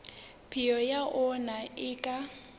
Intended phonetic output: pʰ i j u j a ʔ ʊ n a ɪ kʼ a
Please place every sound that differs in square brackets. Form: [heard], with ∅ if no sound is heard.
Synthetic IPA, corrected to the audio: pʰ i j [ɔ] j a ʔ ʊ n a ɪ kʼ a